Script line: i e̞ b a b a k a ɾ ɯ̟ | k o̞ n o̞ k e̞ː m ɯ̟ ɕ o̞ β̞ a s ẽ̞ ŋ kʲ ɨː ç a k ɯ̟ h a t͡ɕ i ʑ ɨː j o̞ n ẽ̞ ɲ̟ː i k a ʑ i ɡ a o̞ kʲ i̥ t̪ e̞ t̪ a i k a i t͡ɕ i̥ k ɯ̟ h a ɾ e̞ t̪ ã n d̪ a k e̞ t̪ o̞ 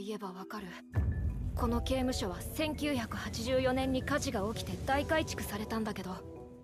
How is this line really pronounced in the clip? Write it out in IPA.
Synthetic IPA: i e̞ b a β a k a ɾ ɯ̟ | k o̞ n o̞ k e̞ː m ɯ̟ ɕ o̞ β̞ a s ẽ̞ ŋ kʲ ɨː ç a k ɯ̟ h a t͡ɕ i ʑ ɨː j o̞ n ẽ̞ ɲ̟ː i k a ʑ i ɡ a o̞ kʲ i̥ t̪ e̞ d̪ a i k a i t͡ɕ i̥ k ɯ̟ s a ɾ e̞ t̪ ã n d̪ a k e̞ d̪ o̞